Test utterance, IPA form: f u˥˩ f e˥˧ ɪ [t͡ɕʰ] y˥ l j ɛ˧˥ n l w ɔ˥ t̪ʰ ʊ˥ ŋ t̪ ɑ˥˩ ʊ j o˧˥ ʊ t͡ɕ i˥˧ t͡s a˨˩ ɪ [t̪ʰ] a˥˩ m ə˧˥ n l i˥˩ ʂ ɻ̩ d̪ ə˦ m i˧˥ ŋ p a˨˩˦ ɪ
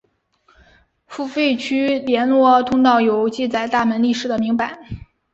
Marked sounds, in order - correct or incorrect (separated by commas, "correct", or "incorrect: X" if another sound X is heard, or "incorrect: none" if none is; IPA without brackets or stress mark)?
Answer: correct, incorrect: t̪